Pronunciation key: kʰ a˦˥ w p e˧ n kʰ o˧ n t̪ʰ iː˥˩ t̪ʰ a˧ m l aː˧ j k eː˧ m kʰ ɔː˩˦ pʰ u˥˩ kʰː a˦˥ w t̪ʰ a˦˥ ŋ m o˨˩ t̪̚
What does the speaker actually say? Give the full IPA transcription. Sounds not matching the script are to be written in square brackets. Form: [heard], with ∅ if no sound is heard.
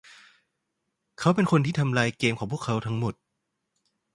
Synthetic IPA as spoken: kʰ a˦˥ w p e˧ n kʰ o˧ n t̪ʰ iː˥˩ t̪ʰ a˧ m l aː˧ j k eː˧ m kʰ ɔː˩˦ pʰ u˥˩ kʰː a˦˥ w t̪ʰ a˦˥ ŋ m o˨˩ t̪̚